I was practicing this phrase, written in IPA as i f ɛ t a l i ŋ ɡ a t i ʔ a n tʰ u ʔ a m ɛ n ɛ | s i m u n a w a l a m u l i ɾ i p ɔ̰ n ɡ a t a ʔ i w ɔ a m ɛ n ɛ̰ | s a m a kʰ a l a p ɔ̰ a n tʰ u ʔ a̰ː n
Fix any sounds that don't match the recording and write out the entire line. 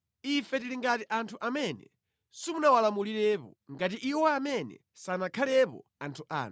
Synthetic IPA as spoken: i f ɛ t i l i ŋ ɡ a t i ʔ a n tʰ u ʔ a m ɛ n ɛ | s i m u n a w a l a m u l i ɾ ɛ p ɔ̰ ŋ ɡ a t i ʔ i w ɔ a m ɛ n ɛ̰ | s a n a kʰ a l ɛ p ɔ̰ a n tʰ u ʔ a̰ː n